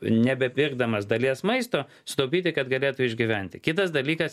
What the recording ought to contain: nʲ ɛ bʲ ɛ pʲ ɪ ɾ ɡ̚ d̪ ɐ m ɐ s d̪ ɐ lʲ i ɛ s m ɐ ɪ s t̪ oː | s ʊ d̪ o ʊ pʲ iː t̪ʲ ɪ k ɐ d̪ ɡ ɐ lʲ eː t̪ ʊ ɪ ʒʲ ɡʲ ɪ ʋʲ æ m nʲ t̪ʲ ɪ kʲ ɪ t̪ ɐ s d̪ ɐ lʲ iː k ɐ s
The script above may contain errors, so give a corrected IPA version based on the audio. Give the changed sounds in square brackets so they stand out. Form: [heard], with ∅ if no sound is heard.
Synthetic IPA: nʲ ɛ bʲ ɛ pʲ ɪ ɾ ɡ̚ d̪ ɐ m ɐ s d̪ ɐ lʲ i ɛ s m ɐ ɪ s t̪ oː | s ʊ [t̪] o ʊ pʲ iː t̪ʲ ɪ k ɐ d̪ ɡ ɐ lʲ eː t̪ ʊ ɪ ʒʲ ɡʲ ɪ ʋʲ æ [∅] nʲ t̪ʲ ɪ kʲ ɪ t̪ ɐ s d̪ ɐ lʲ iː k ɐ s